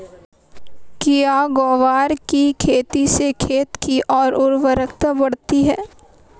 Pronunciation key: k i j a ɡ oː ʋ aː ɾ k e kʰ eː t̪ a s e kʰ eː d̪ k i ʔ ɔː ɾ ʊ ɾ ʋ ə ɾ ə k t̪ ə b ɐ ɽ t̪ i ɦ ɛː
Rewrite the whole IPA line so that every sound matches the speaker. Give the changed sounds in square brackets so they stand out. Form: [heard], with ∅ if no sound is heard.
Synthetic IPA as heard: k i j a ɡ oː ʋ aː ɾ k [i] kʰ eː t̪ [i] s e kʰ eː [t̪] k i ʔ ɔː ɾ ʊ ɾ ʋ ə ɾ ə k t̪ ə b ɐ ɽ t̪ i ɦ ɛː